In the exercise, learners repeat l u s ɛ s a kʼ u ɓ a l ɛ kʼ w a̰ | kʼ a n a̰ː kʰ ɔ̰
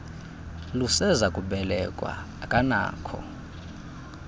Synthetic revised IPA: l u s ɛ z a kʼ u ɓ ɛ l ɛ kʼ w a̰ | kʼ a n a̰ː kʰ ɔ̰